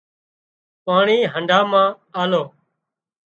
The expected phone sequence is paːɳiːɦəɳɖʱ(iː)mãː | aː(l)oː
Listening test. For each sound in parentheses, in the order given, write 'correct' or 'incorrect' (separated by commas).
incorrect, correct